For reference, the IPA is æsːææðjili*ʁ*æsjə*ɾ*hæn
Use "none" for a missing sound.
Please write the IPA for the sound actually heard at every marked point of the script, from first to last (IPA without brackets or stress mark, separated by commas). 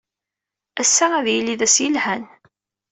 ð, l